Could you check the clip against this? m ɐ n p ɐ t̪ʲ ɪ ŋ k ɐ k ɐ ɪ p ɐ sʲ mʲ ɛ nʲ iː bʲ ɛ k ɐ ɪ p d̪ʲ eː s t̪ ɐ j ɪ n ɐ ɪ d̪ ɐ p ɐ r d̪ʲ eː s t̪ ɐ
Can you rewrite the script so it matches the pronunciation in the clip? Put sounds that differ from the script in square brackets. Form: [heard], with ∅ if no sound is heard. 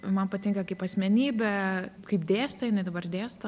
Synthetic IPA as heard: m ɐ n p ɐ t̪ʲ ɪ ŋ k ɐ k ɐ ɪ p ɐ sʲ mʲ ɛ nʲ iː bʲ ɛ k ɐ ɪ p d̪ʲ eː s t̪ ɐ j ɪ n ɐ ɪ d̪ ɐ [b] ɐ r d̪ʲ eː s t̪ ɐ